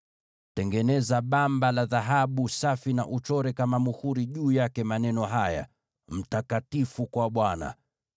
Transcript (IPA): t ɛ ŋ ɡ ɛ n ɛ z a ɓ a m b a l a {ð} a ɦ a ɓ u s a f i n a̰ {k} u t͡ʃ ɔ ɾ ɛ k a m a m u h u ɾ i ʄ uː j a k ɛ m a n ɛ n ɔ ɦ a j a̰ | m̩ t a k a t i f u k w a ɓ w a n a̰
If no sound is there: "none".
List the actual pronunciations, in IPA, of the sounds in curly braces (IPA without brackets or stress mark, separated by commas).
ð, ʔ